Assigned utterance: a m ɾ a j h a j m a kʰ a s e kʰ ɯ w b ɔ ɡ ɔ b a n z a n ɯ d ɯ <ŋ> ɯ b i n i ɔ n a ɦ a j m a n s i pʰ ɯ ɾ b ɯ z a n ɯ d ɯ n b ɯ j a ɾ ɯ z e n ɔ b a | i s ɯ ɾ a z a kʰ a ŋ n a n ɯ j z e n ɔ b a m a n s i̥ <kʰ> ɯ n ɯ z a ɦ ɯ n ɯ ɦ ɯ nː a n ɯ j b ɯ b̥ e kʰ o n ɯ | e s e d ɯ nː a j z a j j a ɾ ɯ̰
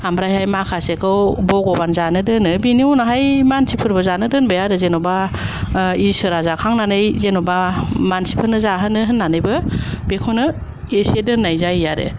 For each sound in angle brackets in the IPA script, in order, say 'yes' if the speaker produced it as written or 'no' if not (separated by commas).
no, no